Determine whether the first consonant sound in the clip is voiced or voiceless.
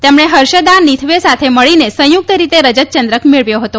voiceless